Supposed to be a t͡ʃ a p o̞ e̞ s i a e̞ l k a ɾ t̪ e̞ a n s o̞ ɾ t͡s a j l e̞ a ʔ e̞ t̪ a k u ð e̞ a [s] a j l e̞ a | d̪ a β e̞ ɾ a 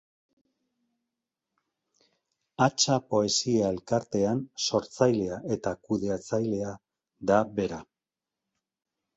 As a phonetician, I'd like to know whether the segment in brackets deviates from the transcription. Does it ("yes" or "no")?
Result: yes